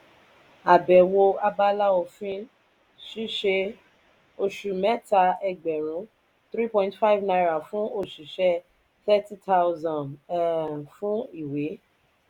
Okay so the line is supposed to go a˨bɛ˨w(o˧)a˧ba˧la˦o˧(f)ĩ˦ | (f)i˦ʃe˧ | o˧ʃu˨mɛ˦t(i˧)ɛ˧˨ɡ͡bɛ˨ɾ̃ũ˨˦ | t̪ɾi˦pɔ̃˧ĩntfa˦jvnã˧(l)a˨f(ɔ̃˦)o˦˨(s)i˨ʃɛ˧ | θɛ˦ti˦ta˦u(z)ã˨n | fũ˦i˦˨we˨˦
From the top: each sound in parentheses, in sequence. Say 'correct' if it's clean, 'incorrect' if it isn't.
correct, correct, incorrect: ʃ, incorrect: a˧, incorrect: ɾ, incorrect: ũ˦, incorrect: ʃ, correct

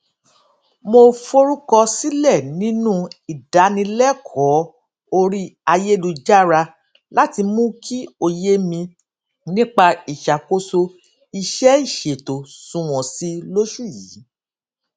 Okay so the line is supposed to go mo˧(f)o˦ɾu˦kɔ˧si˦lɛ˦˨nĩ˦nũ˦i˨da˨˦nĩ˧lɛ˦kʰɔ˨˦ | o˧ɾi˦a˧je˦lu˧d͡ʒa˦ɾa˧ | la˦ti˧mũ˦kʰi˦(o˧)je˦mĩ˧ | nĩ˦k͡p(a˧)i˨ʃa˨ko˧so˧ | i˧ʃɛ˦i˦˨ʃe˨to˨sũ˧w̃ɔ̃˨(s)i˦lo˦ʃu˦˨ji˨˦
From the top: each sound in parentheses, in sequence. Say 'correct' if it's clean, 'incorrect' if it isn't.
correct, correct, correct, correct

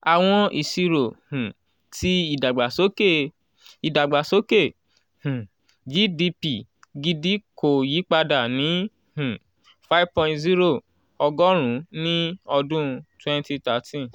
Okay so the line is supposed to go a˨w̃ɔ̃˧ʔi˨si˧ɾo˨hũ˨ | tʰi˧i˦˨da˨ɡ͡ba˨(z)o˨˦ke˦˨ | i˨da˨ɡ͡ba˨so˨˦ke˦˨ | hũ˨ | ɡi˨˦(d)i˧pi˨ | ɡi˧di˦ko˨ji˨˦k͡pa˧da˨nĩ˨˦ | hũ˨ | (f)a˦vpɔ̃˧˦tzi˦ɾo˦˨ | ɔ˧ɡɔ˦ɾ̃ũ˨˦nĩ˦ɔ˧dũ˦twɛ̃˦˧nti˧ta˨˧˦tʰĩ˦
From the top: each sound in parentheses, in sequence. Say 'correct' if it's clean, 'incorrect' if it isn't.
incorrect: s, correct, correct

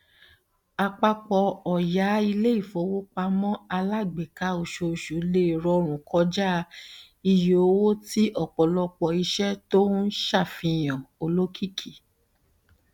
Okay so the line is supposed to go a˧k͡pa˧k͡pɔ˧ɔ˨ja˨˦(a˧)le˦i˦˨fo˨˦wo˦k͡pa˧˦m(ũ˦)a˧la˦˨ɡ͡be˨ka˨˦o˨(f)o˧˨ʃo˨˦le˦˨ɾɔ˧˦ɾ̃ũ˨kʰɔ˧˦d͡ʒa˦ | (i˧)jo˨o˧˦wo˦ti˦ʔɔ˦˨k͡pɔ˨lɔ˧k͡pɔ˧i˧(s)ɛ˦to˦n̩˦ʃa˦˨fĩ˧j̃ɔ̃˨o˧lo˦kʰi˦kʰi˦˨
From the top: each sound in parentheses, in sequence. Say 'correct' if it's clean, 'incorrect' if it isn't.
incorrect: i˧, incorrect: ɔ̃˦, incorrect: ʃ, correct, incorrect: ʃ

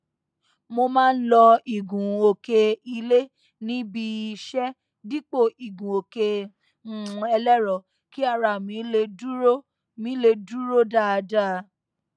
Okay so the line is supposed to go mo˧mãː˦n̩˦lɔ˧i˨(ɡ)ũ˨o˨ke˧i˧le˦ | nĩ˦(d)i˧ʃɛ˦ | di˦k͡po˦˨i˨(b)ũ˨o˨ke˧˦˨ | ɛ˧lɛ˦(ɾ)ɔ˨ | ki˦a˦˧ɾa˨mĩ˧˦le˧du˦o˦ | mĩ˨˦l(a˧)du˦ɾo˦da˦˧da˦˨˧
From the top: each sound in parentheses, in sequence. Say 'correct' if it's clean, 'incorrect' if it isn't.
correct, incorrect: b, incorrect: ɡ, correct, incorrect: e˧

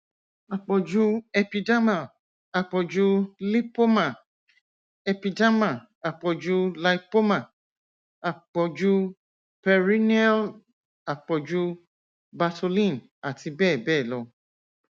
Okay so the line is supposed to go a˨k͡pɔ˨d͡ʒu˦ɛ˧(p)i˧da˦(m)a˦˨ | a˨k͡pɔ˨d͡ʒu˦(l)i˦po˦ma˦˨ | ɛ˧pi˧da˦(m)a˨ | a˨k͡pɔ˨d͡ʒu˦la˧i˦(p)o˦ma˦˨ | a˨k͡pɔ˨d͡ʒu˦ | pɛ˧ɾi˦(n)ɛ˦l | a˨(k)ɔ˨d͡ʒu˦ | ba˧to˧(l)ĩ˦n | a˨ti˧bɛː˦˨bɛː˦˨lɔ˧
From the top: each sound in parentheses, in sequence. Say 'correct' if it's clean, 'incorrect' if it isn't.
correct, correct, correct, correct, correct, correct, incorrect: k͡p, correct

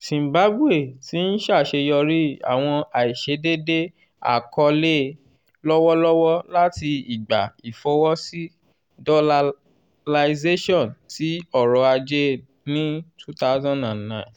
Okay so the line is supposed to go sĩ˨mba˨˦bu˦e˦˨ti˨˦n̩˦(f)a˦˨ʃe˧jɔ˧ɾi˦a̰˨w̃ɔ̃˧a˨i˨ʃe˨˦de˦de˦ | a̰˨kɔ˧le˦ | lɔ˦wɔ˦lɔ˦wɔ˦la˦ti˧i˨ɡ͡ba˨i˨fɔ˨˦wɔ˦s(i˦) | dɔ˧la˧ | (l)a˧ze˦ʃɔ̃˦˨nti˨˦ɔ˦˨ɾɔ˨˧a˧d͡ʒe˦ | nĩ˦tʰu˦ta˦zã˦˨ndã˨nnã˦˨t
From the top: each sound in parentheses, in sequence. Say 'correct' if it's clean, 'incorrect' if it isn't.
incorrect: ʃ, correct, correct

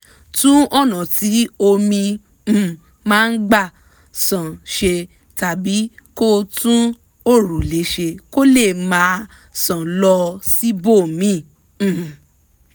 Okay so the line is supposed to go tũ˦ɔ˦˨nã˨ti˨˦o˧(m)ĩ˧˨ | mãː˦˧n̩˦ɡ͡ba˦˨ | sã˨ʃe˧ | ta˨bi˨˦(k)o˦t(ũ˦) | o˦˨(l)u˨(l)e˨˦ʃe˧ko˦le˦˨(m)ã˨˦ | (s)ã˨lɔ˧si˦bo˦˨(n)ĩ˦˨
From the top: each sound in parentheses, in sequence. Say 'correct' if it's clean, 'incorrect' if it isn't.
correct, correct, correct, incorrect: ɾ, correct, correct, correct, incorrect: m

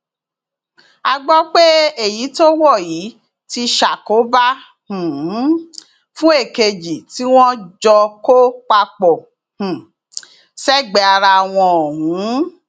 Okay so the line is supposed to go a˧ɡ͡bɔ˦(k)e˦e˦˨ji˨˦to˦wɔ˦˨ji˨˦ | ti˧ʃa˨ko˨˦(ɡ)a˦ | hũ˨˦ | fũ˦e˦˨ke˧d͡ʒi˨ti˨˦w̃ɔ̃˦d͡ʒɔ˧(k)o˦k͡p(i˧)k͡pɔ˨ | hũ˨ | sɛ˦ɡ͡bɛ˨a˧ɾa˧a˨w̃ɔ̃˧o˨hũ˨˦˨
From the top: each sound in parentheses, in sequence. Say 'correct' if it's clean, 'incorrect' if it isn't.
incorrect: k͡p, incorrect: b, correct, incorrect: a˧

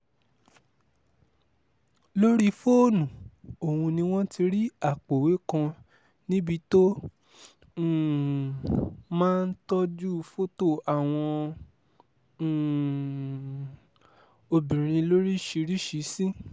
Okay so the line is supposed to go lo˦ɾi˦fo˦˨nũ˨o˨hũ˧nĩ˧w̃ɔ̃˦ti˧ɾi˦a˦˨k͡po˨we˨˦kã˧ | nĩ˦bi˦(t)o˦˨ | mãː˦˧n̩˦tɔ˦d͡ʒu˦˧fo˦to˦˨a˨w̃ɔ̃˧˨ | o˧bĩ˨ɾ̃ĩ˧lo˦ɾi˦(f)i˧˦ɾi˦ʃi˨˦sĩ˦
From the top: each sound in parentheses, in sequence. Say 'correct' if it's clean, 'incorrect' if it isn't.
correct, incorrect: ʃ

